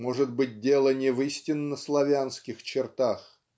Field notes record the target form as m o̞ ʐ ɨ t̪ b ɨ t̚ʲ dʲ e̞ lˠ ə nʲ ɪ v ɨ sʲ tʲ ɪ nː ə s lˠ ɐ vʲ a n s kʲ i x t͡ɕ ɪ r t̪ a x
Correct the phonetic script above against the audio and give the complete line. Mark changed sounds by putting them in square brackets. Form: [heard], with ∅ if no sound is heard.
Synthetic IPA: m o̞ ʐ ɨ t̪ b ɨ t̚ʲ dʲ e̞ lˠ ə nʲ ɪ v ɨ sʲ tʲ ɪ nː ə s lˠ ɐ vʲ a n s kʲ [ɪ] x t͡ɕ ɪ r t̪ a x